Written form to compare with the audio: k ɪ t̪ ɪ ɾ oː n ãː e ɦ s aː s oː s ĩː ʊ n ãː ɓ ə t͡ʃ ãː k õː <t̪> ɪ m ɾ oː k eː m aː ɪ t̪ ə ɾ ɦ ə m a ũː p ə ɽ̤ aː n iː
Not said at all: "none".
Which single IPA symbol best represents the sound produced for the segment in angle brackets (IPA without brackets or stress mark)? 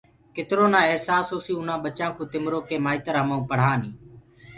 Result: t̪